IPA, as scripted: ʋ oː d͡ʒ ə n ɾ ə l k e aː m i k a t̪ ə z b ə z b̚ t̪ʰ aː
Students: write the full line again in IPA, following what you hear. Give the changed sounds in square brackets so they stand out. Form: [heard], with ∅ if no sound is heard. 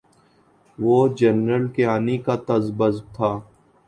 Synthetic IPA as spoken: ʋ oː d͡ʒ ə n ɾ ə l k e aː [n] i k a t̪ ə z b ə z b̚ t̪ʰ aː